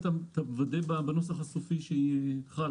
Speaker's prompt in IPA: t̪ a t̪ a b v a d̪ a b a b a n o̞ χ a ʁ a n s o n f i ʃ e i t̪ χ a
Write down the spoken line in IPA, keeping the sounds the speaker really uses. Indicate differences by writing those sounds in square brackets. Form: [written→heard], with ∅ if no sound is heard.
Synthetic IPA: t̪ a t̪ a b v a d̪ [a→e] b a b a n o̞ [χ→s] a [ʁ→χ] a [n→∅] s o [n→∅] f i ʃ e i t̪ χ a